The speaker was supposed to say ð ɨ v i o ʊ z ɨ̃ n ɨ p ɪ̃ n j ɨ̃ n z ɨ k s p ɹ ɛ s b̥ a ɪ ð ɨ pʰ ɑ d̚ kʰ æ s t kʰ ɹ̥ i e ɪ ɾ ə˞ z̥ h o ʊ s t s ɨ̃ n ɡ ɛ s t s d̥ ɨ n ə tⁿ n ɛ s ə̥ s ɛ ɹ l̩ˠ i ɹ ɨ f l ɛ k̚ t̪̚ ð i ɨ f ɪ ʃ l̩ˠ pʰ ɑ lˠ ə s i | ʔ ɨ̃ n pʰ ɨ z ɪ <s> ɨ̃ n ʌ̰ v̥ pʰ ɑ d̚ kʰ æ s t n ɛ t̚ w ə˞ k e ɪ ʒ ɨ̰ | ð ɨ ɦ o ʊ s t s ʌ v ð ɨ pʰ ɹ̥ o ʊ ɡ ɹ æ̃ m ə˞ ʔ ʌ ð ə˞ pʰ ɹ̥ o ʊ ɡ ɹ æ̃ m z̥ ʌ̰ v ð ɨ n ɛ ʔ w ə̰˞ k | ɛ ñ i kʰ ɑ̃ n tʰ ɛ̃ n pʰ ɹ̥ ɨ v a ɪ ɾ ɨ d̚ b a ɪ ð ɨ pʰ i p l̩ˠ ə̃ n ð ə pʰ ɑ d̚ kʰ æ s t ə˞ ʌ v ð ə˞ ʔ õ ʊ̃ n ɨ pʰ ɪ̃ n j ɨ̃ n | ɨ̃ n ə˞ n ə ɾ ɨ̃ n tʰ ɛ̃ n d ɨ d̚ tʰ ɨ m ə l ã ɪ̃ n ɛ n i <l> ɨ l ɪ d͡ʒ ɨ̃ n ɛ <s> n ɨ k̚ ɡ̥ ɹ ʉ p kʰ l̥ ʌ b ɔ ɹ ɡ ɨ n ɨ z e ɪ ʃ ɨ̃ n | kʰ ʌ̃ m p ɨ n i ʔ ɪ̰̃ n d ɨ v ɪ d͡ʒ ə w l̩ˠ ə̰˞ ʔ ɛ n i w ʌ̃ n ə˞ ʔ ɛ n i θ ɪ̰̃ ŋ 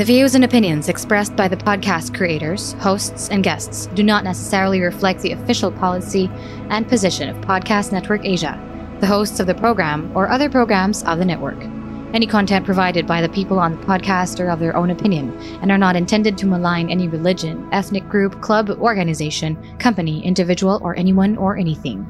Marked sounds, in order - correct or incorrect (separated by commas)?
incorrect, incorrect, incorrect